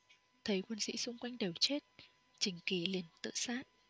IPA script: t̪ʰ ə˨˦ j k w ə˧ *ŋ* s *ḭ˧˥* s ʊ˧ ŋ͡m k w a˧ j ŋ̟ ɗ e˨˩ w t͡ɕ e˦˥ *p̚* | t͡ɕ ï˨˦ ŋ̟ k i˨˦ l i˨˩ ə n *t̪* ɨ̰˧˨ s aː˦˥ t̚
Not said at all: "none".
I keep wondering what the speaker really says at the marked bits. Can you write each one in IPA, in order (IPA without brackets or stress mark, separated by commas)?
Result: n, ḭ˧˥, t̚, t̪